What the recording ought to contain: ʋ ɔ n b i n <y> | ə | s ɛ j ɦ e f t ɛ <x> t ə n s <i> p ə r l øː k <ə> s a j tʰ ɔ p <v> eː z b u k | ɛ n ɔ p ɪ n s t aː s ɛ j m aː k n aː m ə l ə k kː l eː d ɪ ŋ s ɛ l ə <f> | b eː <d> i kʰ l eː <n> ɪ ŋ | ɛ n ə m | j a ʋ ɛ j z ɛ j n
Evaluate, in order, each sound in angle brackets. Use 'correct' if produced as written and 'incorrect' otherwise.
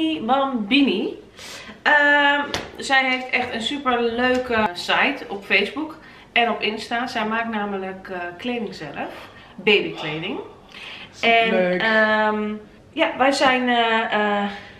incorrect, correct, incorrect, correct, incorrect, correct, incorrect, incorrect

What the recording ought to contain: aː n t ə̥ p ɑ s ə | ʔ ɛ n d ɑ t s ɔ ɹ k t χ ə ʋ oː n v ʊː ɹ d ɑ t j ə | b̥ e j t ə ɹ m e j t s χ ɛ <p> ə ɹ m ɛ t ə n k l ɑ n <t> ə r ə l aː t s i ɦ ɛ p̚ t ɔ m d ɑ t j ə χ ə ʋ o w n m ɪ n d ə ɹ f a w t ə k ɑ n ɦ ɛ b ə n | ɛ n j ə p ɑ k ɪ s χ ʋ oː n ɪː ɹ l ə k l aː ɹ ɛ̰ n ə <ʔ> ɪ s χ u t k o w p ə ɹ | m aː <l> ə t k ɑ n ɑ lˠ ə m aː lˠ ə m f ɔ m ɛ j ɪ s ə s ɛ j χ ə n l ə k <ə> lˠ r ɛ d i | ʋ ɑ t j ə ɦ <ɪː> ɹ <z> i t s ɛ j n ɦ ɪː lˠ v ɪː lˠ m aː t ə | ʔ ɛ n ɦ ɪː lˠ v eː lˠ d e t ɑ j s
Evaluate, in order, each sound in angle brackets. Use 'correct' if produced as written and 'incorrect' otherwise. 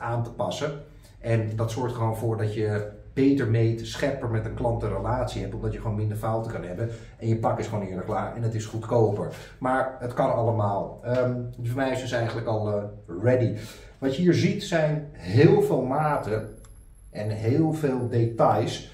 correct, correct, incorrect, incorrect, incorrect, incorrect, correct

